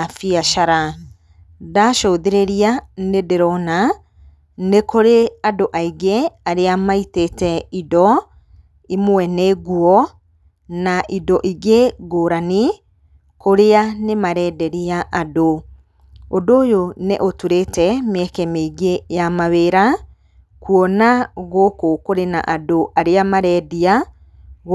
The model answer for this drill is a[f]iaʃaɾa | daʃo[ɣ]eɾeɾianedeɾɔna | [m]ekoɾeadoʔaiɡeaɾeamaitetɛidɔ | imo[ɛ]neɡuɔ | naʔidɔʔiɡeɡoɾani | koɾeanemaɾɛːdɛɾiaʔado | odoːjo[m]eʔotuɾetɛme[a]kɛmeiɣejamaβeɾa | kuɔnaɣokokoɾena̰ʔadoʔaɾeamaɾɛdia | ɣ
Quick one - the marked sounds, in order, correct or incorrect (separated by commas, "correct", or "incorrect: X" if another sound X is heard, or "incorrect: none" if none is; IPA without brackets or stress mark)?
correct, incorrect: ð, incorrect: n, correct, incorrect: n, incorrect: ɛ